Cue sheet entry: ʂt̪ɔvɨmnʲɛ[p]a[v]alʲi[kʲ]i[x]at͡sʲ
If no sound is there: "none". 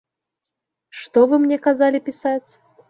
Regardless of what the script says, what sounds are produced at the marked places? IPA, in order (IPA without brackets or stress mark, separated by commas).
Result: k, z, pʲ, s